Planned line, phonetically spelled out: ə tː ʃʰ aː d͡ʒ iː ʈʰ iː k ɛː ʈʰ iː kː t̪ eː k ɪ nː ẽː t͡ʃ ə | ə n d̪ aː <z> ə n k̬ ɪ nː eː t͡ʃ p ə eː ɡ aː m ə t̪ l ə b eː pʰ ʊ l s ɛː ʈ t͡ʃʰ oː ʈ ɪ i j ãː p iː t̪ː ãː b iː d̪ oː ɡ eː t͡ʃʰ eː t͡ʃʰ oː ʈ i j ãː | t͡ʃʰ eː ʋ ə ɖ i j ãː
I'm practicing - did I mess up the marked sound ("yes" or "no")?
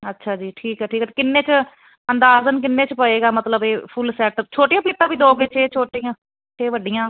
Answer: no